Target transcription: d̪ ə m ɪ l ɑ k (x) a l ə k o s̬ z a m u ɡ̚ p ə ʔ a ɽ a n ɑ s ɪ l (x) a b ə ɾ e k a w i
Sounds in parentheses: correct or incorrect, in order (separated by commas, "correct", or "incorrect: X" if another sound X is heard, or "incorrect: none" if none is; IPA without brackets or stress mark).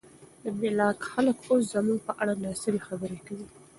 correct, correct